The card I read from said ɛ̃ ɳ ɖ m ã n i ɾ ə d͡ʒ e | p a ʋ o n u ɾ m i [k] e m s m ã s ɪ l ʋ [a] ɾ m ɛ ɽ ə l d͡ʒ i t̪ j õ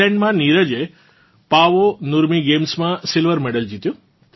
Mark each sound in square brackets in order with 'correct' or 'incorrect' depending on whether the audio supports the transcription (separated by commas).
incorrect, incorrect